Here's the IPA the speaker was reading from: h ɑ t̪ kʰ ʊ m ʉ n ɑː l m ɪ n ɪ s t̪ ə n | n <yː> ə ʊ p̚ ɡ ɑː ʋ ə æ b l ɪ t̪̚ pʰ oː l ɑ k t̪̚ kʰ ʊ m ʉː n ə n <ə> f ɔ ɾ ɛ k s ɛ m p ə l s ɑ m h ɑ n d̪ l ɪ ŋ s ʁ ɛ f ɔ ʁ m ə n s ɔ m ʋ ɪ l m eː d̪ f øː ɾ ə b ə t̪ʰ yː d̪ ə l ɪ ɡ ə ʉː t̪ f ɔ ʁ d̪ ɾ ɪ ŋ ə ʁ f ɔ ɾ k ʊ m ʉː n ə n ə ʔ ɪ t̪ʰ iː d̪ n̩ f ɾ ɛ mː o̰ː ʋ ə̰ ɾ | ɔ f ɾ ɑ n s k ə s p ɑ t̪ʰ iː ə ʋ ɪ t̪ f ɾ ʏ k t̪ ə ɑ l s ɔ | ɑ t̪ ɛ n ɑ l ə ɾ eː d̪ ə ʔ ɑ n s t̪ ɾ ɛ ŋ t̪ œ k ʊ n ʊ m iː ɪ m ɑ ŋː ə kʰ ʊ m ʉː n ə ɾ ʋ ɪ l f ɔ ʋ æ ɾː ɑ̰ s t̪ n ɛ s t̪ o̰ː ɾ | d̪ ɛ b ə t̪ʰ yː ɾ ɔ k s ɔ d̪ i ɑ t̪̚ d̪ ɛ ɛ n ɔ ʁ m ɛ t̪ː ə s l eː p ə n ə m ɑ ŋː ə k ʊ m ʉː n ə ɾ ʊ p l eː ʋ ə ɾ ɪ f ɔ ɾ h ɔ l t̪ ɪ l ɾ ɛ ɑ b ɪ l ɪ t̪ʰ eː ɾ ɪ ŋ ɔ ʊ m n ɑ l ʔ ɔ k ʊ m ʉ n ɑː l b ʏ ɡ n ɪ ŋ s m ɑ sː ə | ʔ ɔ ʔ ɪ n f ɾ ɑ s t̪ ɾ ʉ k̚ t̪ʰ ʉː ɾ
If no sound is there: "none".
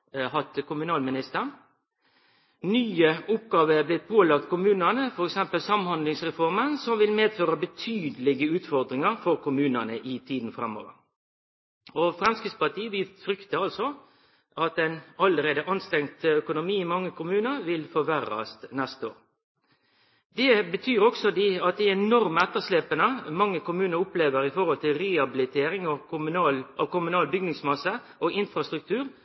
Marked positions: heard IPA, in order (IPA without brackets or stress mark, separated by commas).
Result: yː, ə